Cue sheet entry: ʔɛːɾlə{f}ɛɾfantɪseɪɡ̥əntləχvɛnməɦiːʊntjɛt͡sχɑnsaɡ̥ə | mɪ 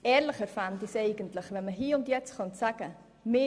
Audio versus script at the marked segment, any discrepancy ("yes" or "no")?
yes